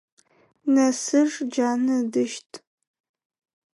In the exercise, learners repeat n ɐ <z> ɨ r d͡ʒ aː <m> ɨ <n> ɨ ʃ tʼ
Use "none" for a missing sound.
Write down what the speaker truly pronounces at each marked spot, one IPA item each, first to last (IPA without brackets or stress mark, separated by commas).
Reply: s, n, d